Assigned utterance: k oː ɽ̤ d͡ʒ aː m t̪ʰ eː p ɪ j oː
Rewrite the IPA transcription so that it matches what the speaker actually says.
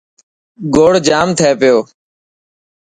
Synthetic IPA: ɡ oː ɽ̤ d͡ʒ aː m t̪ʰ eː p ɪ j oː